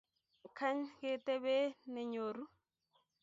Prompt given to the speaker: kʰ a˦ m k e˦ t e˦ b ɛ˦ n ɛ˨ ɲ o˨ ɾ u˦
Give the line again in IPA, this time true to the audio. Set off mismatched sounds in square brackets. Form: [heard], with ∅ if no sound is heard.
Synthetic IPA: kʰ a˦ [ɲ] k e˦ t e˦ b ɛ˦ n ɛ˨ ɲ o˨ ɾ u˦